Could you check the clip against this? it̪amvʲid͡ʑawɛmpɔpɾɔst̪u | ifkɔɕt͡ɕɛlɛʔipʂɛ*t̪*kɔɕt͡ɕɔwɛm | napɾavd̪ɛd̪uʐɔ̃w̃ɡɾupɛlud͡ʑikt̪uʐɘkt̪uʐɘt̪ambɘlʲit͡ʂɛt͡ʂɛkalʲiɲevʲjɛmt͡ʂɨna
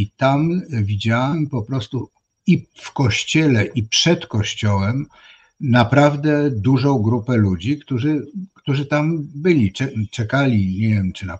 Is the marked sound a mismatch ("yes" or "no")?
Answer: no